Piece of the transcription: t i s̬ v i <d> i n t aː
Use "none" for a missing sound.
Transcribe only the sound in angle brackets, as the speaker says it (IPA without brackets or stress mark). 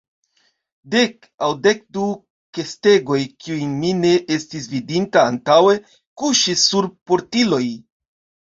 d